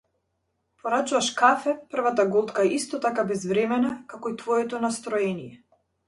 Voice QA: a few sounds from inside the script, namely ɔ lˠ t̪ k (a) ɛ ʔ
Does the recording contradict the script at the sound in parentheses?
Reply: no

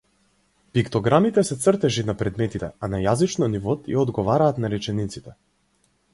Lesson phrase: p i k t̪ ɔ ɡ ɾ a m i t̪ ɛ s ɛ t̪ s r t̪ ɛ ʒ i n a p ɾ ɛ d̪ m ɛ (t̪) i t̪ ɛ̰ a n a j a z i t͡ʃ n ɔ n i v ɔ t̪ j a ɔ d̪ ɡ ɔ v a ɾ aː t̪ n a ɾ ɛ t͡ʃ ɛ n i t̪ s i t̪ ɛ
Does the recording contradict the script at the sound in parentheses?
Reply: no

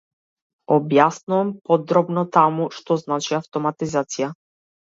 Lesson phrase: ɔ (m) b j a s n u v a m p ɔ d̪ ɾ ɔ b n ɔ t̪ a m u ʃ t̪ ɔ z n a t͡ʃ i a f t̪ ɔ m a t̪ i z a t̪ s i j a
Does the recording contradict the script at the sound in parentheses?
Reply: yes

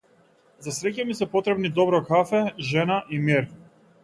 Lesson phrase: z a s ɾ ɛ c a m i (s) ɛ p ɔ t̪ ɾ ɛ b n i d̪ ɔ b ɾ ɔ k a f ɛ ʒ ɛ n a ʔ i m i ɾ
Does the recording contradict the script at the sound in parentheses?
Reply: no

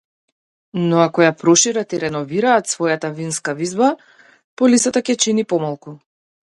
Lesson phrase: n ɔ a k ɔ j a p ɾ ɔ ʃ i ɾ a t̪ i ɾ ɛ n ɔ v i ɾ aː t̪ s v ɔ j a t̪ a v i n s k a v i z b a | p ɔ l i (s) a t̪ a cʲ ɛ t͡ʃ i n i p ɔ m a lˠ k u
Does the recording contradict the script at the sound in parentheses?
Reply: no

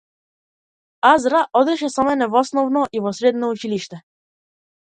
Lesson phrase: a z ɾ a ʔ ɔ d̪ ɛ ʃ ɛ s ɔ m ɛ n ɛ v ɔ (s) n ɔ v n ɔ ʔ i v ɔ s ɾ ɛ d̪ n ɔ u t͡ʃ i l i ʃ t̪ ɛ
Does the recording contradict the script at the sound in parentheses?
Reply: no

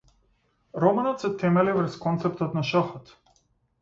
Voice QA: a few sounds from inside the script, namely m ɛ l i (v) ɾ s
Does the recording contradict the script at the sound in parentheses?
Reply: no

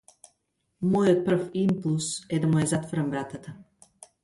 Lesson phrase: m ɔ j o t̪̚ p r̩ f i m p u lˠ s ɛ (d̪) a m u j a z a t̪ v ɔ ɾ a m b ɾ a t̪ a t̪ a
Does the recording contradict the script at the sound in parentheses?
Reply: no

